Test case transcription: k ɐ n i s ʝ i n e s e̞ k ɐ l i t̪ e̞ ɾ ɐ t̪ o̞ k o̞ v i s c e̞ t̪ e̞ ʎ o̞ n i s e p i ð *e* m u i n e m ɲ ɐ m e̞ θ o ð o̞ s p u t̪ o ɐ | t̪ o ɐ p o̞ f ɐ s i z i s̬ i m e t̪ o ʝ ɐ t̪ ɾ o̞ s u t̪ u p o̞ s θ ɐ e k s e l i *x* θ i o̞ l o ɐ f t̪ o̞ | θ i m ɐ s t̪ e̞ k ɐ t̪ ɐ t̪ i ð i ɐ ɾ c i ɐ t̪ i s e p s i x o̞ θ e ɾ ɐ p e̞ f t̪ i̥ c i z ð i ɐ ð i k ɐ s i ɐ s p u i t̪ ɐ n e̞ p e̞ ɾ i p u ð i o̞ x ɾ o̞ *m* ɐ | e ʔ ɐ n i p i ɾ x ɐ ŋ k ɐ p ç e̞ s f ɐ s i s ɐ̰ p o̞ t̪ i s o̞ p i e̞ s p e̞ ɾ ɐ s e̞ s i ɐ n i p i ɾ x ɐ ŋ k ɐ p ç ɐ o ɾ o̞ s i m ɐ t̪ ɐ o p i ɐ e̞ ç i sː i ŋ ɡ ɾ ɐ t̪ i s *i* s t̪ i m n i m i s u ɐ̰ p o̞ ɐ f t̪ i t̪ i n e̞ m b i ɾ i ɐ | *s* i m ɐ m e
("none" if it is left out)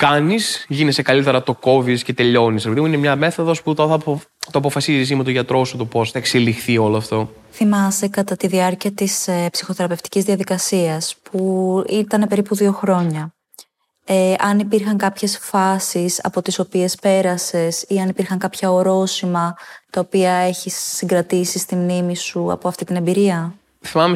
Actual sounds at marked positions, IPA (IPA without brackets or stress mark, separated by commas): i, x, ɲ, i, θ